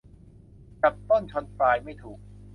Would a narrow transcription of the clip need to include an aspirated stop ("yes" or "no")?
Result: yes